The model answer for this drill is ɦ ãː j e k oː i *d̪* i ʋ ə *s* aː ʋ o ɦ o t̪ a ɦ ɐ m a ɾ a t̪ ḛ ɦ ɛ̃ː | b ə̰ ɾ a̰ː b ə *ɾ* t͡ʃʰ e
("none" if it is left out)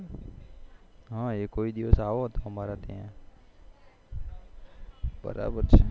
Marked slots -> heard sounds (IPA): d̪, s, ɾ

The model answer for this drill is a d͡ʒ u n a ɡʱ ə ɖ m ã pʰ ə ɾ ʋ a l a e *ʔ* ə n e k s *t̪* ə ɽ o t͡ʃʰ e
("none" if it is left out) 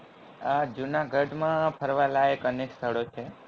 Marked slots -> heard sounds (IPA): k, t̪ʰ

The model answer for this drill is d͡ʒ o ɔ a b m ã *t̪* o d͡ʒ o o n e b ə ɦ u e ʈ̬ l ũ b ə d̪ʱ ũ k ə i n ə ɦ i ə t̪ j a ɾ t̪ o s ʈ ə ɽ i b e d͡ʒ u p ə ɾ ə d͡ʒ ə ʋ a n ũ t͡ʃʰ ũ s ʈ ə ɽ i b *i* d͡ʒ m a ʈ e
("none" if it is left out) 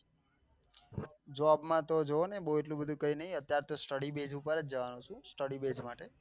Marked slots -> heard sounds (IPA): t̪, e

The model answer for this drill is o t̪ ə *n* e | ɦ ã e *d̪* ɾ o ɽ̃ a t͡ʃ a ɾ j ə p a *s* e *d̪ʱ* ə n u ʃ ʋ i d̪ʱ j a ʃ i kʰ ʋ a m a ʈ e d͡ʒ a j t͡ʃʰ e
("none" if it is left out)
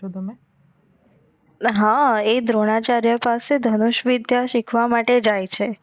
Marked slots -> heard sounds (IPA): m, d̪, s, d̪ʱ

